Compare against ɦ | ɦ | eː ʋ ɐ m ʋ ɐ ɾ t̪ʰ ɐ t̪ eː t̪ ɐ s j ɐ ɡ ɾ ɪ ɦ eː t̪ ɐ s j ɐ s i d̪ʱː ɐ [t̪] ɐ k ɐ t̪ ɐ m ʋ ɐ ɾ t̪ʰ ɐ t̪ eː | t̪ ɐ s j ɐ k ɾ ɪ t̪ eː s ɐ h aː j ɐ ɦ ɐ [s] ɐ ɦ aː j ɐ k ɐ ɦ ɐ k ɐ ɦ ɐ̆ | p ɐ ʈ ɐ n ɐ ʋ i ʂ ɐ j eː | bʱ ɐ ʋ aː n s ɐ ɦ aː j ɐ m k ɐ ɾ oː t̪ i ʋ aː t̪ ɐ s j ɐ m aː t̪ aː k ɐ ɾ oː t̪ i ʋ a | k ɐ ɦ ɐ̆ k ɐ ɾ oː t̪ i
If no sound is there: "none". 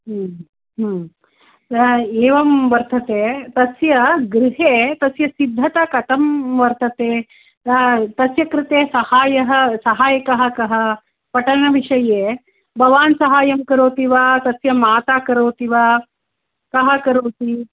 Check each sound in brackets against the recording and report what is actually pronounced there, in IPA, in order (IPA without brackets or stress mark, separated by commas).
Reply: t̪, s